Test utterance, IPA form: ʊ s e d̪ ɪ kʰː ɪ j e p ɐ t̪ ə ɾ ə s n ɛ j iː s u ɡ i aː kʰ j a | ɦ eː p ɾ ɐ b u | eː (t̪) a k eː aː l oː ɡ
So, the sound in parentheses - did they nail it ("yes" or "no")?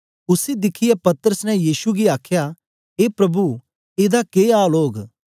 no